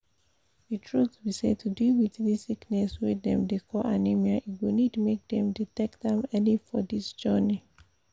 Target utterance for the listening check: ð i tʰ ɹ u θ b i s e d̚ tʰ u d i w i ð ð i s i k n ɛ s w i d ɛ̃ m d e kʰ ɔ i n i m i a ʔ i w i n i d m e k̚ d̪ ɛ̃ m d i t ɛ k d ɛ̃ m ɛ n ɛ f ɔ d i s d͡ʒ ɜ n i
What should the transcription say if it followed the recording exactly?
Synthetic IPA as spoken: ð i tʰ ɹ u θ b i s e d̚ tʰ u d i w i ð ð i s i k n ɛ s w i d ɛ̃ m d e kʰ ɔ a n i m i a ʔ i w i n i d m e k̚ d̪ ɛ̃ m d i t ɛ k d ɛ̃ m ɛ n i f ɔ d i s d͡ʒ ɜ n i